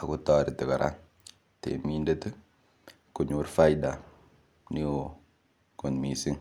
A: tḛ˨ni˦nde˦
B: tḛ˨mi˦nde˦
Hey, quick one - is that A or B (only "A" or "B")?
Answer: B